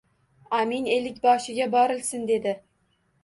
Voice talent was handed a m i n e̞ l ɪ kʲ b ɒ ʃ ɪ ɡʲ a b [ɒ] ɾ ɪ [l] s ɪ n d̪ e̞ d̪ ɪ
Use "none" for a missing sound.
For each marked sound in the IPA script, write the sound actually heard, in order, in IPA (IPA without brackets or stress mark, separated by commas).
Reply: ɒ, l